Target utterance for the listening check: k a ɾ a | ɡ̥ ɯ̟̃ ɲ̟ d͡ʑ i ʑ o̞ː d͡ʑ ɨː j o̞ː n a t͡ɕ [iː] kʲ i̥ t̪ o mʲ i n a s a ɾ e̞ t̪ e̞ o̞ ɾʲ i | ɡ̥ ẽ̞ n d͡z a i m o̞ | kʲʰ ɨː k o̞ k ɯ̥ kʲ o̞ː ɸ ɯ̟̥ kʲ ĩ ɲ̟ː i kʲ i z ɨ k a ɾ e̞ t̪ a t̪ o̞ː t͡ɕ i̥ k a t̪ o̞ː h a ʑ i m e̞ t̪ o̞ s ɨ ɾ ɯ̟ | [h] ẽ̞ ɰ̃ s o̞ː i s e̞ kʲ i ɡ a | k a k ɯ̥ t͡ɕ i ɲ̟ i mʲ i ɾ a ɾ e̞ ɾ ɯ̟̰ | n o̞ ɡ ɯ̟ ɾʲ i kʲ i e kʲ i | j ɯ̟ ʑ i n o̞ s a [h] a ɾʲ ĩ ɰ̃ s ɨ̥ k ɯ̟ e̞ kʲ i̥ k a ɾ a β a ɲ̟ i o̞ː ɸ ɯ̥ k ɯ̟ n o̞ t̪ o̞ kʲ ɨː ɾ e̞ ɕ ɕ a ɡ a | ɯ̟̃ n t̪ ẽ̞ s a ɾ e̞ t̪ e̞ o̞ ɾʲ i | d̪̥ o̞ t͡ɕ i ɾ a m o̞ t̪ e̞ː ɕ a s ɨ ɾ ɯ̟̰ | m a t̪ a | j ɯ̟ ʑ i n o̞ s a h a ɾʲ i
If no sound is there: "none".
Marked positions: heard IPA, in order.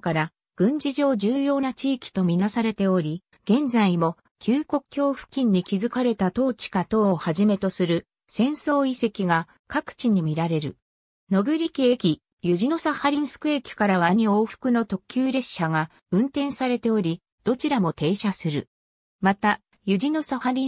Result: iː, s, h

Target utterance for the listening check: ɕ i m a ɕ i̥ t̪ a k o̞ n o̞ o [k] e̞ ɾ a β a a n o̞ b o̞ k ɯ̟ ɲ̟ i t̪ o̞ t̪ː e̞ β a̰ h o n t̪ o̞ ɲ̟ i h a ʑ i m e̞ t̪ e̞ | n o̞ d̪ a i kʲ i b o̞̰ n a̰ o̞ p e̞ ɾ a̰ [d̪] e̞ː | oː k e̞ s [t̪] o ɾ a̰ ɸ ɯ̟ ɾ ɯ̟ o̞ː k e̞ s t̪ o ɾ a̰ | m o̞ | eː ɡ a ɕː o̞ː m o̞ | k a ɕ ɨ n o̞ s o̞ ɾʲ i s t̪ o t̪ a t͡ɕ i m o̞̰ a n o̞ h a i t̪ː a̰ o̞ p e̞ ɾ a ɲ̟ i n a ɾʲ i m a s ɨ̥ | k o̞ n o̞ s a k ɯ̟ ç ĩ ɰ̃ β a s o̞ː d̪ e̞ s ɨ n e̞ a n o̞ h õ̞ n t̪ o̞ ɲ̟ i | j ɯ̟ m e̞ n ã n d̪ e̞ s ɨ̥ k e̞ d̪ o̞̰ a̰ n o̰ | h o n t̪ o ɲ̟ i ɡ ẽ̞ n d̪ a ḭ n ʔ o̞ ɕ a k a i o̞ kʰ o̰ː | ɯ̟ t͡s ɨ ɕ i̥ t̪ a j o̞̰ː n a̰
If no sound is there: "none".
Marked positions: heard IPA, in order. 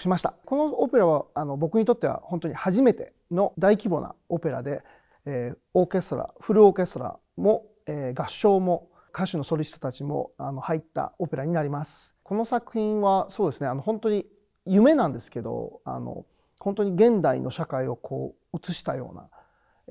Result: p, d̪, t̪

